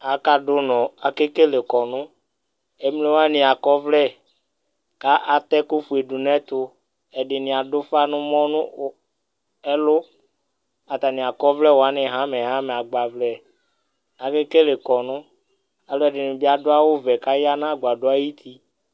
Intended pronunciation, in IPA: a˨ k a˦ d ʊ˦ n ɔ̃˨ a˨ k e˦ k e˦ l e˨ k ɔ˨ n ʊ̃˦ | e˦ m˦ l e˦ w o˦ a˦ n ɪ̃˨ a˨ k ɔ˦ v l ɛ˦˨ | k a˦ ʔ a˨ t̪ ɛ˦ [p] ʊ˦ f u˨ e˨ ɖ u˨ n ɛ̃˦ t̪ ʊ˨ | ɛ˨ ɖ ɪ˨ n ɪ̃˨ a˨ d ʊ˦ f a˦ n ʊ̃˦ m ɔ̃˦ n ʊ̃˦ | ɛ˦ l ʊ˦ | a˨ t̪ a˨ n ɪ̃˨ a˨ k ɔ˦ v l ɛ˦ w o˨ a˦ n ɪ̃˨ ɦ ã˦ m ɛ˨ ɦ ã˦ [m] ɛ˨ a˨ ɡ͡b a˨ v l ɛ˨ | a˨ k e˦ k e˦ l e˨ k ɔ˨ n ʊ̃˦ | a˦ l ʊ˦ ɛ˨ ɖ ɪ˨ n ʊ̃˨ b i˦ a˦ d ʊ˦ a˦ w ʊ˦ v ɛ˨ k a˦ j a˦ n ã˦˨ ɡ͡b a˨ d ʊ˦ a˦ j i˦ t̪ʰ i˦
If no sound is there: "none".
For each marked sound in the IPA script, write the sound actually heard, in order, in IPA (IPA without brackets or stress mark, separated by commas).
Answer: k, m